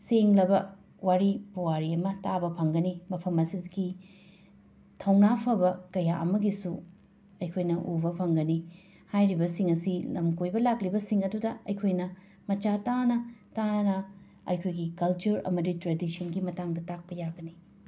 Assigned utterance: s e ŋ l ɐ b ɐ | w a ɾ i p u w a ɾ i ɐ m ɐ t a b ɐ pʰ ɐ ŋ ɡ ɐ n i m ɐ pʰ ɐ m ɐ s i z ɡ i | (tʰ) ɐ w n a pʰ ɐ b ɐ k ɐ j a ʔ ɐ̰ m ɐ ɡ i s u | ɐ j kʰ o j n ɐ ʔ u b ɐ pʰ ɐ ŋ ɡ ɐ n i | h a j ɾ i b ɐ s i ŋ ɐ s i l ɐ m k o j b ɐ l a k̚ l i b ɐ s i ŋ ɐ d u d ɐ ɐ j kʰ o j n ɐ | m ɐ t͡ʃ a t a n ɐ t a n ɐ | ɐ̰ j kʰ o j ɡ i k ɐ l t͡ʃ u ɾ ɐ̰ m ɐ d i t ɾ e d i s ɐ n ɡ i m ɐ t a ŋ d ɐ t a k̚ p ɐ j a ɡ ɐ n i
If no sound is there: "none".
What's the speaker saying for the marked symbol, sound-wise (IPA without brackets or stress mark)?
tʰ